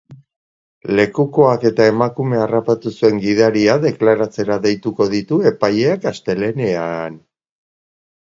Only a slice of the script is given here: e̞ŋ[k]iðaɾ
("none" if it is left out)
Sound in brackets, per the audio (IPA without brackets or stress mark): ɡ